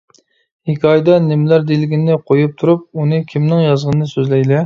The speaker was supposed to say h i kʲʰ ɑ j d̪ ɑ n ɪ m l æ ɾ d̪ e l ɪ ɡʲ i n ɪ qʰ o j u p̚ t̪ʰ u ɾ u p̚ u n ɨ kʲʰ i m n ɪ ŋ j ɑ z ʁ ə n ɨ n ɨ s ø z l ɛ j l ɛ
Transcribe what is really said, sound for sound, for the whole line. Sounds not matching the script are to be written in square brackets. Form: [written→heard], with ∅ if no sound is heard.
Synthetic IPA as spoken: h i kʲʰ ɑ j d̪ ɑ n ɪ m l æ ɾ d̪ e l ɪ ɡʲ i n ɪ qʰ o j u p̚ t̪ʰ u ɾ u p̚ u n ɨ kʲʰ i m n ɪ ŋ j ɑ z ʁ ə n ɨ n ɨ s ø z l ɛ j l ɛ

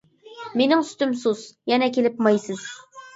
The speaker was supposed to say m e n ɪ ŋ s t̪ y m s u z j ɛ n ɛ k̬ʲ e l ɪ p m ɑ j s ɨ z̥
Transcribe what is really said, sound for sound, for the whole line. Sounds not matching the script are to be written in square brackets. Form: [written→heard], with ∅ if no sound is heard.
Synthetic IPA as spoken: m e n ɪ ŋ s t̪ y m s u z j ɛ n ɛ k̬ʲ e l ɪ p m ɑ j s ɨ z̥

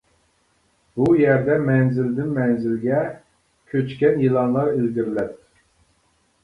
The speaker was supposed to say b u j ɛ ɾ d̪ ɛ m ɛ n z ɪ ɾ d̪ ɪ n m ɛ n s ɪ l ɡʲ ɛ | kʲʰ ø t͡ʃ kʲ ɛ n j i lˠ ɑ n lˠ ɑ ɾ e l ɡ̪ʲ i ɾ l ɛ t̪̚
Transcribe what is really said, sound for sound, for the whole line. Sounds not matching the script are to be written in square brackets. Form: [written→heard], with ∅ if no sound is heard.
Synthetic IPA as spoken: b u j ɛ ɾ d̪ ɛ m ɛ n z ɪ [ɾ→l] d̪ ɪ n m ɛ n [s→z] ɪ l ɡʲ ɛ | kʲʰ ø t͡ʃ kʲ ɛ n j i lˠ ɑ n lˠ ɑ ɾ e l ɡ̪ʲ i ɾ l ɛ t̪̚

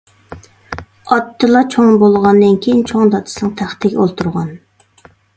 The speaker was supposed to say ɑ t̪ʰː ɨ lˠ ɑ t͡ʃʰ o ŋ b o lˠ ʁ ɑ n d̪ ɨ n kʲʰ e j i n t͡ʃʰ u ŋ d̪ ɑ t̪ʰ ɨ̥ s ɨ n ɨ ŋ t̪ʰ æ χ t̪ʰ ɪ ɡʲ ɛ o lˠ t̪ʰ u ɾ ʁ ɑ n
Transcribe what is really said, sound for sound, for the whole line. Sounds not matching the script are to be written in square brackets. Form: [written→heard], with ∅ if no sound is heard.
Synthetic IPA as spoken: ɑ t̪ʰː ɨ lˠ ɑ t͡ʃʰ o ŋ b o lˠ ʁ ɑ n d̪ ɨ n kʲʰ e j i n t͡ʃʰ [u→o] ŋ d̪ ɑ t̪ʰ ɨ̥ s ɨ n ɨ ŋ t̪ʰ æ χ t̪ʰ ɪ ɡʲ ɛ o lˠ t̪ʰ u ɾ ʁ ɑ n

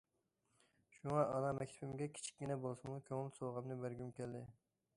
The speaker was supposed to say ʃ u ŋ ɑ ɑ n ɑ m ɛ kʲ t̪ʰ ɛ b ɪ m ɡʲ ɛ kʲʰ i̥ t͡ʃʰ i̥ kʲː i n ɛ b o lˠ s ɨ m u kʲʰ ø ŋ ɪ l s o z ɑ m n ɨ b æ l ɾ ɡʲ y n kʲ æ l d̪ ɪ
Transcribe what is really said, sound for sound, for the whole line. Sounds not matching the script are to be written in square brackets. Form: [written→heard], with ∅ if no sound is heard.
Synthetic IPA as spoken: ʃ u ŋ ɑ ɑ n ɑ m ɛ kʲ t̪ʰ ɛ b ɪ m ɡʲ ɛ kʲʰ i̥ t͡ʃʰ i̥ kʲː i n ɛ b o lˠ s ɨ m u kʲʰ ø ŋ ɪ l s o [z→ʁ] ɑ m n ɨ b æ [l→∅] ɾ ɡʲ y [n→m] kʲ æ l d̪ ɪ

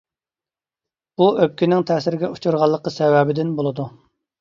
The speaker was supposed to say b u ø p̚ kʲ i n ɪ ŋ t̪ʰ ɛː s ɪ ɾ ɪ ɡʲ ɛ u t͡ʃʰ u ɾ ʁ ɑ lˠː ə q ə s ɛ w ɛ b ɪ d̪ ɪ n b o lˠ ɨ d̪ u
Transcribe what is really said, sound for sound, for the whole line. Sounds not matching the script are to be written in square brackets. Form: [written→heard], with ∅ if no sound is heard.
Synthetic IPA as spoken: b u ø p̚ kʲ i n ɪ ŋ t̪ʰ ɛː s ɪ ɾ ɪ ɡʲ ɛ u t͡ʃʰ u ɾ ʁ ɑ lˠː ə q ə s ɛ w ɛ b ɪ d̪ ɪ n b o lˠ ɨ d̪ u

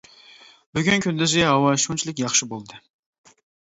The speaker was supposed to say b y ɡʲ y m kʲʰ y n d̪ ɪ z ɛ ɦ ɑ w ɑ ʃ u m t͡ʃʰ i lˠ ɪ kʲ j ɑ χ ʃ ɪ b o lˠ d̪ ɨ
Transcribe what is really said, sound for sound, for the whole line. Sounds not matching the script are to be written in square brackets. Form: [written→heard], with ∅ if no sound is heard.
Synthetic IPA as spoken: b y ɡʲ y [m→n] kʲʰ y n d̪ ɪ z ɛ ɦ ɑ w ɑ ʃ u [m→n] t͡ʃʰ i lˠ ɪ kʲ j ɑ χ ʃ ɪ b o lˠ d̪ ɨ

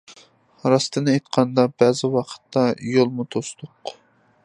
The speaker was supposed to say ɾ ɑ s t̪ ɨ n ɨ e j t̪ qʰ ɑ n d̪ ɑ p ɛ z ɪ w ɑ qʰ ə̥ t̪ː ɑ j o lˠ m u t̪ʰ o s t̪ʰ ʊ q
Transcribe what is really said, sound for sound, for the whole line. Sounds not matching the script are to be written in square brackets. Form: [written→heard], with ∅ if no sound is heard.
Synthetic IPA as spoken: ɾ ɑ s t̪ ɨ n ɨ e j t̪ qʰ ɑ n d̪ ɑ [p→b] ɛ z ɪ w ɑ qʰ ə̥ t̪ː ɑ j o lˠ m u t̪ʰ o s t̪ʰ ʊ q

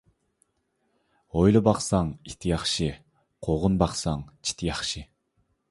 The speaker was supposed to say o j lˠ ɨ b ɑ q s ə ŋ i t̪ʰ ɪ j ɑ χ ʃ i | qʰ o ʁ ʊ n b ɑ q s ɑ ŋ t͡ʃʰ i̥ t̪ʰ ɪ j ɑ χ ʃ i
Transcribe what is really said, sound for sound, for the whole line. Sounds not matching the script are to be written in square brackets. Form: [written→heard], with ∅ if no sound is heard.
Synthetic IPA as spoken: o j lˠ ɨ b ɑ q s [ə→ɑ] ŋ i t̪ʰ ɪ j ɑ χ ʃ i | qʰ o ʁ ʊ n b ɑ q s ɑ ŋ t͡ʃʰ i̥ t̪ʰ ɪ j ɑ χ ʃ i

